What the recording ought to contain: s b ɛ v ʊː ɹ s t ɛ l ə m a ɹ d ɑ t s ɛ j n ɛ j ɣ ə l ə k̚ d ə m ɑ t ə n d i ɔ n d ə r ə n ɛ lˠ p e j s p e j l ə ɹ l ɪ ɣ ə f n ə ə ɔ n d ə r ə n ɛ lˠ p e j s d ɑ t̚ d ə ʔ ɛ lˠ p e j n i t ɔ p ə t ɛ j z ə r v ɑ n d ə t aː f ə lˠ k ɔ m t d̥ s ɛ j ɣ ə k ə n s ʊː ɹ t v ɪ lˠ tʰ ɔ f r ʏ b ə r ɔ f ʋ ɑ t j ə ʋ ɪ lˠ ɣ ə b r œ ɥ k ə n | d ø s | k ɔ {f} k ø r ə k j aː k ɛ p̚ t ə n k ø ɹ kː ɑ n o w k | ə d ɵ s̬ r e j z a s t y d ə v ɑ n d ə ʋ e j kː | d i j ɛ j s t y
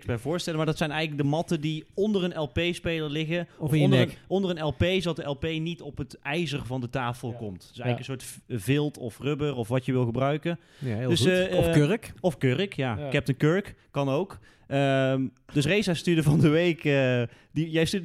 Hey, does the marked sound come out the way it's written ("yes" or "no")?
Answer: yes